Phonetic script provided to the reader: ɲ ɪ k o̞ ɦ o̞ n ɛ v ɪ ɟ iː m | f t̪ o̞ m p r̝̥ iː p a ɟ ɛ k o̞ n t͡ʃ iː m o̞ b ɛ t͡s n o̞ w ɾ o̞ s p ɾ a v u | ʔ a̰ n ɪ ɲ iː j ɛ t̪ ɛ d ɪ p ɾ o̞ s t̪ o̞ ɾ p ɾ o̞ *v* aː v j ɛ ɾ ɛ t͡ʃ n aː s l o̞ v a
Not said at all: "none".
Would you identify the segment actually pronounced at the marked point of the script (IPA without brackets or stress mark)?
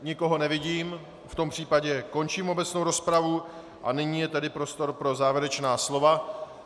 z